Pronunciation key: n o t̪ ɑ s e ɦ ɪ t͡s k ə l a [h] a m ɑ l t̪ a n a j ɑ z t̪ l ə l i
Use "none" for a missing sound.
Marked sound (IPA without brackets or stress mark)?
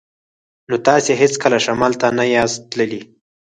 ʃ